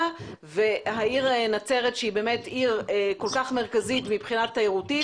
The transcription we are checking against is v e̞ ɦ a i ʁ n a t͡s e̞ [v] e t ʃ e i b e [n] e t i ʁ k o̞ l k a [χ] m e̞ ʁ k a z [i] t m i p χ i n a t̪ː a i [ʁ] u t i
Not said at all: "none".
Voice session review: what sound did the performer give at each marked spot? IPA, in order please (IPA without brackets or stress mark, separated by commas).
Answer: ʁ, m, χ, i, ʁ